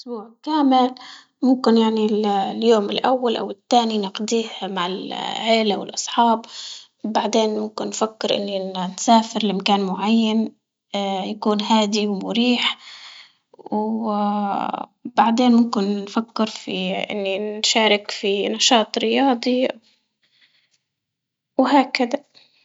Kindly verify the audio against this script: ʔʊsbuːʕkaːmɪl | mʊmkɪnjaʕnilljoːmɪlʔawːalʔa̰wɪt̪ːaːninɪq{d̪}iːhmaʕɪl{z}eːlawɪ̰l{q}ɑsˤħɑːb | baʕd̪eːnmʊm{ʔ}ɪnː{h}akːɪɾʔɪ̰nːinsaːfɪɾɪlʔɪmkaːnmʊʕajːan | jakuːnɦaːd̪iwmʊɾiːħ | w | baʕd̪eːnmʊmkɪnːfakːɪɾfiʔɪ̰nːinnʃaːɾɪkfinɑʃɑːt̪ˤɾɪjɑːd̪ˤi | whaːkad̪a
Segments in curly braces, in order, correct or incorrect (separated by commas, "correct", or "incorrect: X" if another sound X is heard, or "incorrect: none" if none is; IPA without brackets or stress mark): correct, incorrect: ʕ, incorrect: ʔ, incorrect: k, incorrect: f